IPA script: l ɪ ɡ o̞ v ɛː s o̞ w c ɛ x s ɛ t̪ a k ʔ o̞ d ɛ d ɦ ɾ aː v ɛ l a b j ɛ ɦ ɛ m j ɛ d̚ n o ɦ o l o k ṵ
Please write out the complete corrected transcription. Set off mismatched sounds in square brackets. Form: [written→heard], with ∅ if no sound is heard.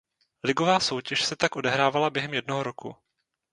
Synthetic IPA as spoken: l ɪ ɡ o̞ v [ɛː→aː] s o̞ w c ɛ [x→ʃ] s ɛ t̪ a k ʔ o̞ d ɛ [d→∅] ɦ ɾ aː v [ɛ→a] l a b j ɛ ɦ ɛ m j ɛ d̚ n o ɦ o [l→ɾ] o k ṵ